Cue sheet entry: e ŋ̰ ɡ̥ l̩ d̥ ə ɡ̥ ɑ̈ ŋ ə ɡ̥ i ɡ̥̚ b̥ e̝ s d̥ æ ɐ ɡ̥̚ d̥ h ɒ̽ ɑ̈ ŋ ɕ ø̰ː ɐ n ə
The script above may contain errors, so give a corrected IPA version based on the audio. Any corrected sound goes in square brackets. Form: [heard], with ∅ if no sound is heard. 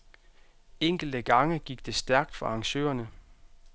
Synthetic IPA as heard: e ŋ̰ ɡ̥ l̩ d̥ ə ɡ̥ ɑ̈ ŋ ə ɡ̥ i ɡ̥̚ [d̥] e̝ s d̥ æ ɐ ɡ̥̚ d̥ [f] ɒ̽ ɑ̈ ŋ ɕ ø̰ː ɐ n ə